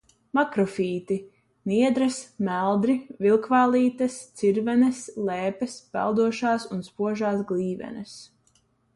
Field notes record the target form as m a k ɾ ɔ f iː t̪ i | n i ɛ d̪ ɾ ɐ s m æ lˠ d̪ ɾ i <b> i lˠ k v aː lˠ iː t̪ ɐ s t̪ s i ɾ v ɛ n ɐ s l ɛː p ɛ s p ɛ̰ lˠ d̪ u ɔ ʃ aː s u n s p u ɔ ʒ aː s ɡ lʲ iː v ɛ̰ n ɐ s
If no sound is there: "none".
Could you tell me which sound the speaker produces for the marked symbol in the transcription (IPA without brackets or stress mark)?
v